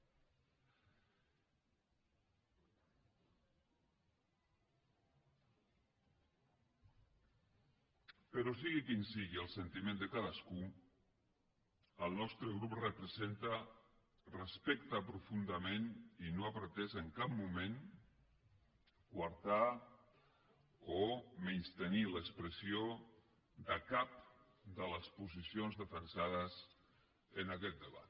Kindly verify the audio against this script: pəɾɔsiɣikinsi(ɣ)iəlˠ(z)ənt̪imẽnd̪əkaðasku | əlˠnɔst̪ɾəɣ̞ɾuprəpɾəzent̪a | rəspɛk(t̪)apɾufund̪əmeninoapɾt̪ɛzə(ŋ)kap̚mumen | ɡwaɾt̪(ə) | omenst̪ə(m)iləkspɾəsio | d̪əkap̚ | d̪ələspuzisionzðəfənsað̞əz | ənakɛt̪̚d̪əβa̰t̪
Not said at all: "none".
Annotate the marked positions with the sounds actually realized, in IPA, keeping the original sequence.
ɣ, s, t̪, ŋ, a, n

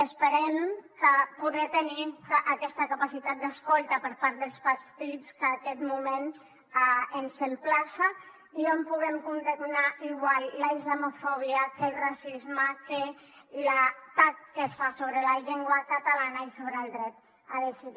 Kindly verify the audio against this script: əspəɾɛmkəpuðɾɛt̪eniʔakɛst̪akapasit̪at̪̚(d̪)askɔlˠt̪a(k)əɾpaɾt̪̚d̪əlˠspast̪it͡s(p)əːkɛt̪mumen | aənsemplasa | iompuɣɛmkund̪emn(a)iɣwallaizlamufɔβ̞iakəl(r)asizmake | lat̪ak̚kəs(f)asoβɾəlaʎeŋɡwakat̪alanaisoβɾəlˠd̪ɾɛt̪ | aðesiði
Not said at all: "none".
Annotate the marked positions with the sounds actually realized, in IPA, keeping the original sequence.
d̪, p, k, a, r, f

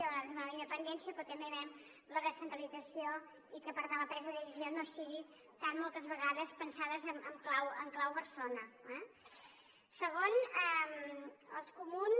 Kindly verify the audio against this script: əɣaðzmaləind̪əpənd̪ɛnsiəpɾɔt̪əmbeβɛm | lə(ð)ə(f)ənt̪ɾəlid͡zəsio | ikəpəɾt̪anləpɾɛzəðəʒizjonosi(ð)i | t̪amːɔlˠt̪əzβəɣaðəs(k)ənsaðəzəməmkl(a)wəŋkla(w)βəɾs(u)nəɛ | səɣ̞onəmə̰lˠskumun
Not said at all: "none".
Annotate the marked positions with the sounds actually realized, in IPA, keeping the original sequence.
ð, s, ɣ, p, a, w, o

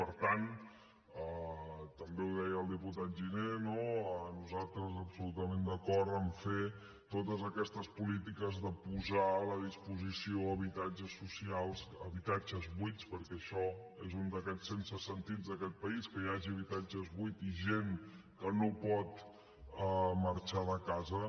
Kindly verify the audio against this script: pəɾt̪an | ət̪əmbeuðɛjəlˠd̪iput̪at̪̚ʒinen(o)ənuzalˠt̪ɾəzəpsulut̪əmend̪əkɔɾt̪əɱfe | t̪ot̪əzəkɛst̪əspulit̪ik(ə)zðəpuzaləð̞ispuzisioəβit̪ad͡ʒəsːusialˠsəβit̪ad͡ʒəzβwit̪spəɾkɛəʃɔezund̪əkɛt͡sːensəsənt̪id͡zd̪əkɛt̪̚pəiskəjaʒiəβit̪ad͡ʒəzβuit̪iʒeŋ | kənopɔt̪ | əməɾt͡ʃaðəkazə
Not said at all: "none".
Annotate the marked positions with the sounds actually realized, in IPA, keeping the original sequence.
o, ə

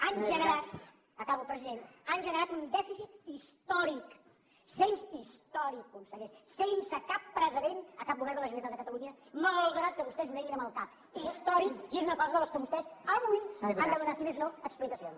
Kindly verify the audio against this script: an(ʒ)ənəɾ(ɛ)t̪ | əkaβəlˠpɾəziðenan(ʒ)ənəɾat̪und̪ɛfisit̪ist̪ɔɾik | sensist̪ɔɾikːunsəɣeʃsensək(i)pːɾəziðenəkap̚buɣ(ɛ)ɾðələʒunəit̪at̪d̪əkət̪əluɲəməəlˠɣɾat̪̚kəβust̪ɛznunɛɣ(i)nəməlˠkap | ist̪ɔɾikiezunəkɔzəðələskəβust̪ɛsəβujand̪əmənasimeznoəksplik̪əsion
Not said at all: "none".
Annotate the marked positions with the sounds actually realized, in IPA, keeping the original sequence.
ʒ, a, ʒ, a, ɛ, i

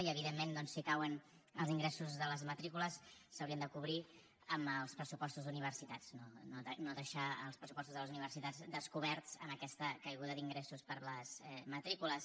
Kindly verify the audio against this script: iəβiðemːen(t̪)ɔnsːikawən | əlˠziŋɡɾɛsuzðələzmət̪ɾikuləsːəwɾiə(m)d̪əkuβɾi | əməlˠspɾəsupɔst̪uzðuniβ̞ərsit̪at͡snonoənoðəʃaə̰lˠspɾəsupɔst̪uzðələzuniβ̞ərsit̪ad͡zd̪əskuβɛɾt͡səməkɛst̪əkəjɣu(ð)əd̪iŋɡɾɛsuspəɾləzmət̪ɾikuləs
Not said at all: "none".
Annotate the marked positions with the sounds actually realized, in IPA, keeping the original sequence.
d̪, n, ð

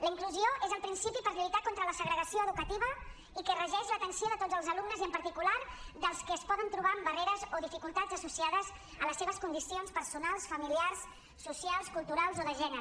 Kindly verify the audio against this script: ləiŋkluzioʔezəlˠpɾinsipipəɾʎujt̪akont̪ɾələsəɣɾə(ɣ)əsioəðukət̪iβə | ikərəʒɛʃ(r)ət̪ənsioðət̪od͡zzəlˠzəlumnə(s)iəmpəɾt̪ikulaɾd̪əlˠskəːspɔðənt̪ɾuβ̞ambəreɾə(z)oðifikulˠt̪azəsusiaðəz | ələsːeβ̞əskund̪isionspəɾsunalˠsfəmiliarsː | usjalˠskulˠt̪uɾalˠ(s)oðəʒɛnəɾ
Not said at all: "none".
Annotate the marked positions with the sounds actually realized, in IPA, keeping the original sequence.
ɣ, l, z, z, z

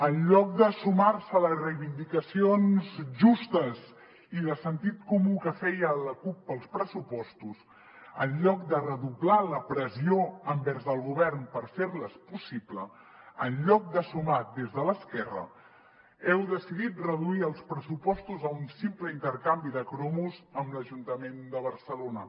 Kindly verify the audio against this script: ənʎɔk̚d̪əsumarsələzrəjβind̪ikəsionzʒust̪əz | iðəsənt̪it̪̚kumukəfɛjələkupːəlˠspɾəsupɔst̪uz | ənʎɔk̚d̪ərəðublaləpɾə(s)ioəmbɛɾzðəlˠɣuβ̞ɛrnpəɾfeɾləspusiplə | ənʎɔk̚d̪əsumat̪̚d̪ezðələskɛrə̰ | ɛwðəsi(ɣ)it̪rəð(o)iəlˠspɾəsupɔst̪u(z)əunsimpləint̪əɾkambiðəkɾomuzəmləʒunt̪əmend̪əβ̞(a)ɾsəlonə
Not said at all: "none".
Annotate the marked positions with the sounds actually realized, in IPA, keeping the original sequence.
z, ð, u, z, ə

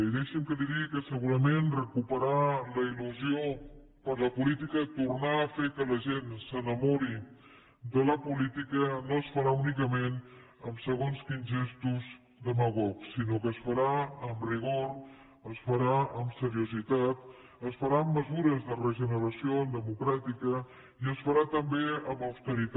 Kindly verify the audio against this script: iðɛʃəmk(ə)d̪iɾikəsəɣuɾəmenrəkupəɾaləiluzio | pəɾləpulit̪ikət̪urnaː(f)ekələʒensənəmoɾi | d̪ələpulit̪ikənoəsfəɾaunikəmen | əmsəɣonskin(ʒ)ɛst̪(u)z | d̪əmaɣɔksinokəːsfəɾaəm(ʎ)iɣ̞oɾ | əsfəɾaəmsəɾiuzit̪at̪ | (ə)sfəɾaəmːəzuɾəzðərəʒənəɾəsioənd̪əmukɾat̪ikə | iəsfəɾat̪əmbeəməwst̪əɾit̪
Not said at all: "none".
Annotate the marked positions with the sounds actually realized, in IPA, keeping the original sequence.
ə, f, ʒ, u, r, ə

